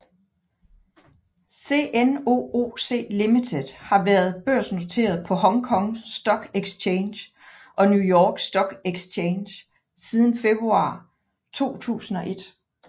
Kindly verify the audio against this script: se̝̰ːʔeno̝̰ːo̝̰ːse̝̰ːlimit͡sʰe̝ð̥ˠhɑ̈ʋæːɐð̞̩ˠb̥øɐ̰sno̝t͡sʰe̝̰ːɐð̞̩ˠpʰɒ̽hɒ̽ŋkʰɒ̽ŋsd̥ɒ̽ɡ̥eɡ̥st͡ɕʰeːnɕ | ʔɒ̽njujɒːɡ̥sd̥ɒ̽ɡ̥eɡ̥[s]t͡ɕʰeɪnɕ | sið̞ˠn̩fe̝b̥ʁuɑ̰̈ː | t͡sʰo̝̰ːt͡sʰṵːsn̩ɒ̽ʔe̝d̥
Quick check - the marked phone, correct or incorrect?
correct